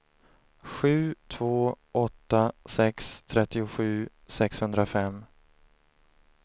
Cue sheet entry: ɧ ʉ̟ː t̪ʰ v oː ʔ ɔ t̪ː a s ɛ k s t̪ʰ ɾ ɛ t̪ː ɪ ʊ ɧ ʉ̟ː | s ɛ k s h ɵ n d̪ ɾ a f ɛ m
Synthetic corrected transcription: ɧ ʉ̟ː t̪ʰ v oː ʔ ɔ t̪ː a s ɛ k s t̪ʰ ɾ ɛ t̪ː ɪ ʊ ɧ ʉ̟ː | s ɛ k s h ɵ n d̪ ɾ a f ɛ m